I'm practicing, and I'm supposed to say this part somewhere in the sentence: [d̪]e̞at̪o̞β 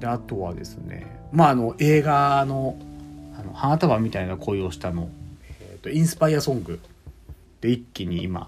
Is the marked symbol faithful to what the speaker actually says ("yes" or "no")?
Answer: yes